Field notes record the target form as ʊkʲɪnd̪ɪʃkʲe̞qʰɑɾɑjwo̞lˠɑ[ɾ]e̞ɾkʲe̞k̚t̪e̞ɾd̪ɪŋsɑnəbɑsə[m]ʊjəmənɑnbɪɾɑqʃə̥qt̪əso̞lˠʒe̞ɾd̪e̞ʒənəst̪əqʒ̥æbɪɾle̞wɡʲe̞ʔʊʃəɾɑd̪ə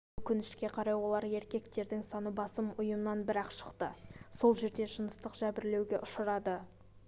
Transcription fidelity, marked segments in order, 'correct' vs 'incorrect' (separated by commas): correct, correct